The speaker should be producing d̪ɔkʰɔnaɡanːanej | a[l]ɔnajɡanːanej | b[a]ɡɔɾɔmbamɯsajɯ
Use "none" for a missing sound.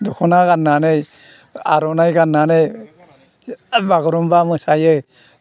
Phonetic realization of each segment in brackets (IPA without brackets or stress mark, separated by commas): ɾ, a